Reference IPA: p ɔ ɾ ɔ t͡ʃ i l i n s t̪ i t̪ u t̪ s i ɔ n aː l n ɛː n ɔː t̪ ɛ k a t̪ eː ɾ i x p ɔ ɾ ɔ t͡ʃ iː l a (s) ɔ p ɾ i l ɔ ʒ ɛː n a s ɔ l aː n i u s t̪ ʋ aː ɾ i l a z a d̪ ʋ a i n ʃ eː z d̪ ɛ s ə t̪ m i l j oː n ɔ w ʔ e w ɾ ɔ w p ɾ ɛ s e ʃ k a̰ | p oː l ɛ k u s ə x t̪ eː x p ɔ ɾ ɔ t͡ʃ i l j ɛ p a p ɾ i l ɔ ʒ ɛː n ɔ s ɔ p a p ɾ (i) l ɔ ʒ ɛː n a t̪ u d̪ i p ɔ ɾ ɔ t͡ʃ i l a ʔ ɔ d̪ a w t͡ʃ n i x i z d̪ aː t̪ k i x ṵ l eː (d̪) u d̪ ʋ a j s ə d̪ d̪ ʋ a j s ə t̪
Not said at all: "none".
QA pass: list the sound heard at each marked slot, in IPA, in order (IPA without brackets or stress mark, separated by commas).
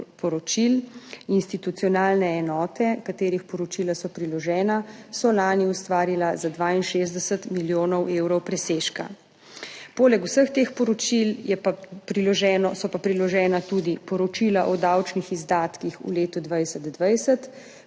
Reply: s, i, t̪